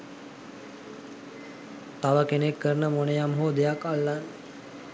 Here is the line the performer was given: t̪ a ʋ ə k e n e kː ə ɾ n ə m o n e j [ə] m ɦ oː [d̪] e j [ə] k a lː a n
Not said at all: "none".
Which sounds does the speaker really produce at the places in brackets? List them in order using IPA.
a, d̪, a

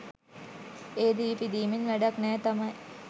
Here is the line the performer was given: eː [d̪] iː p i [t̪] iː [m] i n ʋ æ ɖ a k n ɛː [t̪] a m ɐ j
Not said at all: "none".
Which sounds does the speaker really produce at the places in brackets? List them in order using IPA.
d̪, d̪, m, t̪

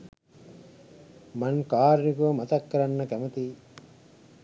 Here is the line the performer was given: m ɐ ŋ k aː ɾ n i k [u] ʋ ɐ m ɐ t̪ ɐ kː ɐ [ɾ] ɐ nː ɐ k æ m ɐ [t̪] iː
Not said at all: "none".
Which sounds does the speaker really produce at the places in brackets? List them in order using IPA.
u, ɾ, t̪

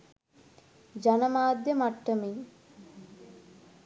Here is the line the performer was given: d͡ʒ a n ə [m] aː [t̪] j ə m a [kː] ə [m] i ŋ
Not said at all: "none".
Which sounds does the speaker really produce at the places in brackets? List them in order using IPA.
m, d̪, ʈː, m

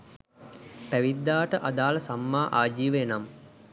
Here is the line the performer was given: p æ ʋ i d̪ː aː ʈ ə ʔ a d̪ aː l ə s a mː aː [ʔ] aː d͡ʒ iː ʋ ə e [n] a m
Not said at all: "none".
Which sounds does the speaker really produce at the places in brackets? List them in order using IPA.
ʔ, n

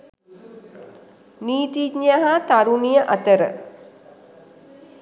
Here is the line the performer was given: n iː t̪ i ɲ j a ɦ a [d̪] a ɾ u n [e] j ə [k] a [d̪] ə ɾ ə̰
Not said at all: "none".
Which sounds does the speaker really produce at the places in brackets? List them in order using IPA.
t̪, i, ʔ, t̪

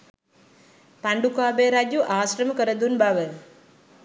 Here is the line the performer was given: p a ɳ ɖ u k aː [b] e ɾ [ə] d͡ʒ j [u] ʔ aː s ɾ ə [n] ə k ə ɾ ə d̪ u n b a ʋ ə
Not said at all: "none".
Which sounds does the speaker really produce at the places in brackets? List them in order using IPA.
b, a, u, m

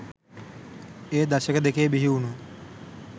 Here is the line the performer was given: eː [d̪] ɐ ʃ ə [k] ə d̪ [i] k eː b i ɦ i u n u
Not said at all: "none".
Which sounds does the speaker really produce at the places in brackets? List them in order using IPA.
d̪, k, e

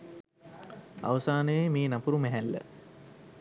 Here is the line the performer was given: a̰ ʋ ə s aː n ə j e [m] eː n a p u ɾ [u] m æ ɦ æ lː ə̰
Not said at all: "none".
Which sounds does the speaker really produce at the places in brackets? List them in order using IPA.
m, u

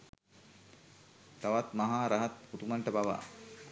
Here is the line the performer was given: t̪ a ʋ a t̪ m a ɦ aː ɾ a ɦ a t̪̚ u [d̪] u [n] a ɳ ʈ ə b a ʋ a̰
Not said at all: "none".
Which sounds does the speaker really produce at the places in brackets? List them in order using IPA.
t̪, m

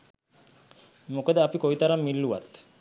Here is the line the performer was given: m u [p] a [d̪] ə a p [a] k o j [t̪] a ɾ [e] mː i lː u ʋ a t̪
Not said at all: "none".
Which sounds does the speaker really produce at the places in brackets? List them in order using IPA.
k, d̪, i, t̪, a

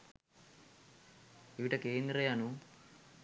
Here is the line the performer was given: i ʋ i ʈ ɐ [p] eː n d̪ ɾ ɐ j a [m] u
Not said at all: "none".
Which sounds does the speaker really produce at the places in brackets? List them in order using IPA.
k, n

